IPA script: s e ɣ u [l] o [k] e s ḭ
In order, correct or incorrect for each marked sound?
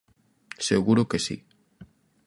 incorrect, correct

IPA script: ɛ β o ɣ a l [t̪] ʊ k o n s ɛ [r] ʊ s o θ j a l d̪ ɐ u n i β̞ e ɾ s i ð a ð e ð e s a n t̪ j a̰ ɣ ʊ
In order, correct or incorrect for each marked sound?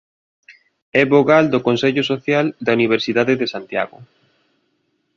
incorrect, incorrect

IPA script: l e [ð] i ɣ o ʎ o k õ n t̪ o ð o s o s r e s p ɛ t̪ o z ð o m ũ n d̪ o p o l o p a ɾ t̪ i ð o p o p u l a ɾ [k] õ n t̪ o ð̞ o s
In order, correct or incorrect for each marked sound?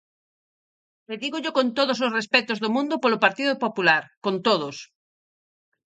correct, correct

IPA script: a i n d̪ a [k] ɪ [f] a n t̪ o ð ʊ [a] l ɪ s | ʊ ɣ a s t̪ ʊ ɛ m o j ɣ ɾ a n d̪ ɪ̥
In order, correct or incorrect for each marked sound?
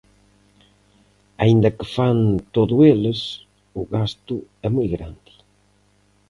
correct, correct, incorrect

